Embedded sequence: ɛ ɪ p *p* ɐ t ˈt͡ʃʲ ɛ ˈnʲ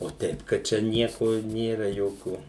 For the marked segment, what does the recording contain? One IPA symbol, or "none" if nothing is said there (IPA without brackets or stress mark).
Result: k